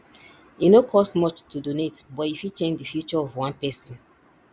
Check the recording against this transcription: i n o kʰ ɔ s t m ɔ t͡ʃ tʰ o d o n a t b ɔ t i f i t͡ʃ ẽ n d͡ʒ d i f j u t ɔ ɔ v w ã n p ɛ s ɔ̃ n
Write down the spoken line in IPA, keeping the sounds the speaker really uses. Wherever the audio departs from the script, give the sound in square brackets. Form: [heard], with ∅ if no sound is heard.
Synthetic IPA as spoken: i n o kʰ ɔ s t m ɔ t͡ʃ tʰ [u] d o n [e] t b ɔ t i f i t͡ʃ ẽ n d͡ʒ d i f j u [t͡ʃ] ɔ ɔ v w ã n p ɛ s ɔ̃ n